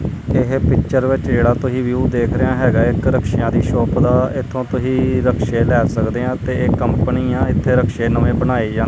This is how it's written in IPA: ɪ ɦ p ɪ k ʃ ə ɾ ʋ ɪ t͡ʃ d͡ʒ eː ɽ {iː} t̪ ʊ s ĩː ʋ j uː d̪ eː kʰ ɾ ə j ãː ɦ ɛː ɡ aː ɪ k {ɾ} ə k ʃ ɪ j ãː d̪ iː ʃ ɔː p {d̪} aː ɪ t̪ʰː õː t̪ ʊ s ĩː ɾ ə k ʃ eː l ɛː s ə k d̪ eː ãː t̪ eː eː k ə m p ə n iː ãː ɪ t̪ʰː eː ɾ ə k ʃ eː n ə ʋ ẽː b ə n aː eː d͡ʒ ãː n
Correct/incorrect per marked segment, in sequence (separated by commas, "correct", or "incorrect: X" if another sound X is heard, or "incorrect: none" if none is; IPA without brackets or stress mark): incorrect: aː, correct, correct